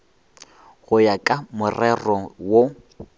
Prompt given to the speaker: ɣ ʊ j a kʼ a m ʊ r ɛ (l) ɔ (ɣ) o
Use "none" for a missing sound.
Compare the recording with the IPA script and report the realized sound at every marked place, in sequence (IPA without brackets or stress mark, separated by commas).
r, w